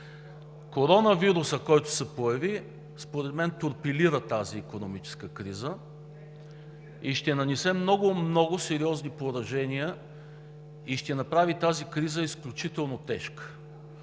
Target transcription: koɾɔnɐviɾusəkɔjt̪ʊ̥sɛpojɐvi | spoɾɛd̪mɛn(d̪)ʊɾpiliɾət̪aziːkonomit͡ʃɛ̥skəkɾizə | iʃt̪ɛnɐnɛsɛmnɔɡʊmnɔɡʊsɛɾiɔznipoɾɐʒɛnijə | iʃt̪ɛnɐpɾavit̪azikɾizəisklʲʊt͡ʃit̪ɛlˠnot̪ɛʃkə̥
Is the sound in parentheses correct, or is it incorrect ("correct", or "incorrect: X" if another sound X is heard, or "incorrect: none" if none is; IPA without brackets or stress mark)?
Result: incorrect: t̪